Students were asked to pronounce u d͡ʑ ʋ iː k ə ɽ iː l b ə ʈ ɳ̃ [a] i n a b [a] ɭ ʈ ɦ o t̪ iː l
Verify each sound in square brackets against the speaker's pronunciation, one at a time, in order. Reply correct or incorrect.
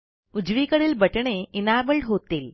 incorrect: e, incorrect: ə

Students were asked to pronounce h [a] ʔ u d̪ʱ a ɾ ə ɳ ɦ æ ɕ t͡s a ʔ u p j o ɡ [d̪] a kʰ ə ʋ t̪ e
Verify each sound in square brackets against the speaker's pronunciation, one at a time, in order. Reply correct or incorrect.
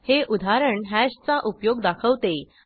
incorrect: e, correct

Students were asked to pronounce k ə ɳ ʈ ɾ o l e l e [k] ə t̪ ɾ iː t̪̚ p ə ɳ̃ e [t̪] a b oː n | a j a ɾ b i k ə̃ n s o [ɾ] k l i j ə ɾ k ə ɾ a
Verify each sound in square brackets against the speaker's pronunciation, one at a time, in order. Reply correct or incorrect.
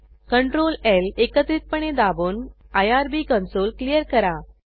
correct, incorrect: d̪, incorrect: l

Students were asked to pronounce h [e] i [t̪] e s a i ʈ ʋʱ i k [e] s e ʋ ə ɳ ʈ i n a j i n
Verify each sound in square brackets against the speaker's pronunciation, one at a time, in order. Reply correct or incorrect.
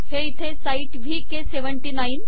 correct, incorrect: t̪ʰ, correct

